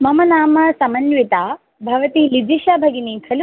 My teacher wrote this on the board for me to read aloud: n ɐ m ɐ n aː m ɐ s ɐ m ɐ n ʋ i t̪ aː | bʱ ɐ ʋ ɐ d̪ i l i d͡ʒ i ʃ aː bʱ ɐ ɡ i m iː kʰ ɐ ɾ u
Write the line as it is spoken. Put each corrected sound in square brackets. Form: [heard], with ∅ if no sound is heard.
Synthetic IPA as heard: [m] ɐ m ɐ n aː m ɐ s ɐ m ɐ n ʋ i t̪ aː | bʱ ɐ ʋ ɐ [t̪] i l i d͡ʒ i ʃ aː bʱ ɐ ɡ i [n] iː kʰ ɐ [l] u